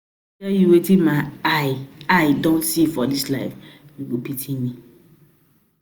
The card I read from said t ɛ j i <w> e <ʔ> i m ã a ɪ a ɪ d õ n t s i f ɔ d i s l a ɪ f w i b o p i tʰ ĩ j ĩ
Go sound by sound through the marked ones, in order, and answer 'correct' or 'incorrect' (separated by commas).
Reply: correct, incorrect